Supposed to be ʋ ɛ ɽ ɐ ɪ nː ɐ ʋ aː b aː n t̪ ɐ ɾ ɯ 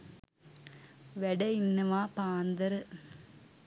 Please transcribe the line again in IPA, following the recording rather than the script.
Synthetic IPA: ʋ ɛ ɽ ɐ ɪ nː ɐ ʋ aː p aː n d̪ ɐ ɾ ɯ

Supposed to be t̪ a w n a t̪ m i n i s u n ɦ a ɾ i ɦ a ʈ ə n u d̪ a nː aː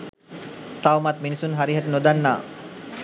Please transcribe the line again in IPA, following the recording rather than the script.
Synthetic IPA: t̪ a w m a t̪ m i n i s u n ɦ a ɾ i ɦ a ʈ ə n o d̪ a nː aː

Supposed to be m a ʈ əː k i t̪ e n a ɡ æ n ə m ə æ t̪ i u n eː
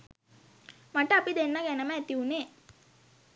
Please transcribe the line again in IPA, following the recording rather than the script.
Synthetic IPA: m a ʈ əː p i d̪ e nː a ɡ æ n ə m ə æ t̪ i u n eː

